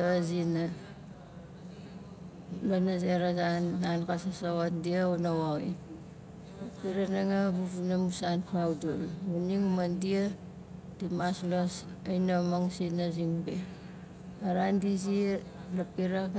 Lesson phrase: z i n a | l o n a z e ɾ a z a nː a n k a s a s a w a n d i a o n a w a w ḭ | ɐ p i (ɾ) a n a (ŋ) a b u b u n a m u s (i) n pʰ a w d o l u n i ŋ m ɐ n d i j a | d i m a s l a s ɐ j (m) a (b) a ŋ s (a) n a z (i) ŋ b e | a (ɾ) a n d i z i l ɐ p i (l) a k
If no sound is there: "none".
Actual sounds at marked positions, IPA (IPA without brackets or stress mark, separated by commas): ɾ, ŋ, a, n, m, i, i, ɾ, ɾ